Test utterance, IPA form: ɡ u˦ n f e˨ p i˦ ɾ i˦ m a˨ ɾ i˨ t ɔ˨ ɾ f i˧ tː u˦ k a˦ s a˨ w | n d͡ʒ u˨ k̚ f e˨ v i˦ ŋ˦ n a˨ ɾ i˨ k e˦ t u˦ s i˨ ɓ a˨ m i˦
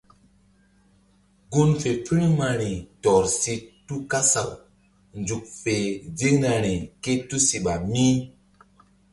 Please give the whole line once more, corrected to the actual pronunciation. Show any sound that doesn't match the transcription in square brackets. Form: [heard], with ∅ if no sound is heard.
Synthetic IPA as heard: ɡ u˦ n f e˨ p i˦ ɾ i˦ m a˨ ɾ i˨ t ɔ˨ ɾ [s] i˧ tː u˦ k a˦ s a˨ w | n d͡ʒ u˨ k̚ f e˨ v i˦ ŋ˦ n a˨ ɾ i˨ k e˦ t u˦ s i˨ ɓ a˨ m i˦